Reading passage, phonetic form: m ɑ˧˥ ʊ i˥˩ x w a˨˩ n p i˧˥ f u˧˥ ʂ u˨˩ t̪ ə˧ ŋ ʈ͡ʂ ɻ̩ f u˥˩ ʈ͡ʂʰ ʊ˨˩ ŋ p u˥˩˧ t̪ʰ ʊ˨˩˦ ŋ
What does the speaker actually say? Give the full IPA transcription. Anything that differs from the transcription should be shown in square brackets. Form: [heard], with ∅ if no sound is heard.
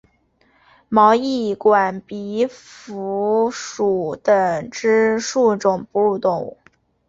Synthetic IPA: m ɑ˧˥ ʊ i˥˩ [k] w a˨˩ n p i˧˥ f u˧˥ ʂ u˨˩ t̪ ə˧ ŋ ʈ͡ʂ ɻ̩ [ʂ] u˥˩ [ʈ͡ʂ] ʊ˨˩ ŋ p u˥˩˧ [t̪] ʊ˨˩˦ ŋ